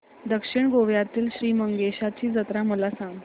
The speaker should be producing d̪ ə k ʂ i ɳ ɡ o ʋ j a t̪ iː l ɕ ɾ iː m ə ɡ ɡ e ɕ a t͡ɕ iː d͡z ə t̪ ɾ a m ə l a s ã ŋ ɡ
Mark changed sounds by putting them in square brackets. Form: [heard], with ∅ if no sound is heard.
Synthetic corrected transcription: d̪ ə k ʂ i ɳ ɡ o ʋ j a t̪ iː l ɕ ɾ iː m ə [ŋ] ɡ e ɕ a t͡ɕ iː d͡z ə t̪ ɾ a m ə l a s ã ŋ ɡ